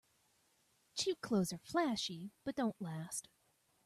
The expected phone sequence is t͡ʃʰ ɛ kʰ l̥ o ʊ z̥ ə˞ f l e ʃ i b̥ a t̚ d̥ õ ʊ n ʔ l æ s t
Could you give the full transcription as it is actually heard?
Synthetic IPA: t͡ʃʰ i kʰ l̥ o ʊ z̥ ə˞ f l æ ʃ i b̥ ʌ t̚ d̥ õ ʊ̃ n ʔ l æ s t